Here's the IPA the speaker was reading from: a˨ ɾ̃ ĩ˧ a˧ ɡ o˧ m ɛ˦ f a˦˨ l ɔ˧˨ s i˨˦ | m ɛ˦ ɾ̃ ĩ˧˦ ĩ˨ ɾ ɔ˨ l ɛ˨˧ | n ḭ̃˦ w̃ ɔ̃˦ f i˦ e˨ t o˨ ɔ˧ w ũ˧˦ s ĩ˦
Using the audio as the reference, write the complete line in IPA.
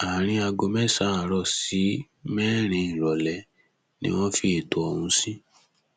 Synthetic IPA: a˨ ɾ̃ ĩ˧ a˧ ɡ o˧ m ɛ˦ s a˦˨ ɾ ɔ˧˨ s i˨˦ | m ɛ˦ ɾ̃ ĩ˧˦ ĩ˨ ɾ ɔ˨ l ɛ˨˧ | n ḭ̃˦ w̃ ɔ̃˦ f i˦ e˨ t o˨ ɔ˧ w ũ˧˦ s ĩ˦